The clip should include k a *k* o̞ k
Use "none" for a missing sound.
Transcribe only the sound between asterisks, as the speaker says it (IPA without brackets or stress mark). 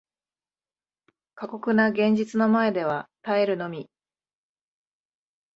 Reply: k